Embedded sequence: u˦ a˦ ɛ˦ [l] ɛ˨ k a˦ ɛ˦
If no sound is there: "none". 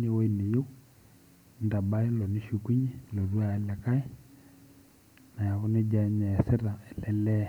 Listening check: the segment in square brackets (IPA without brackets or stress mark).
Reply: l